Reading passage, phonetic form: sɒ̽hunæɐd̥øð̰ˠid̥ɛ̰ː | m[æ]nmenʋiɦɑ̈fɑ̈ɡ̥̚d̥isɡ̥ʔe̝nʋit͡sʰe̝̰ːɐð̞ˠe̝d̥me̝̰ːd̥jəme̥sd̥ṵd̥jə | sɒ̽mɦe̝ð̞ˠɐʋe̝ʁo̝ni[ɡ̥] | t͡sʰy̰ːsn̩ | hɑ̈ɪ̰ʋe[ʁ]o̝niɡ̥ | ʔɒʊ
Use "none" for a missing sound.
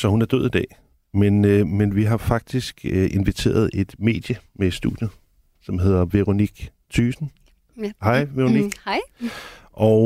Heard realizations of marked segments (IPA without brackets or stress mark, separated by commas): e, ɡ̥, ʁ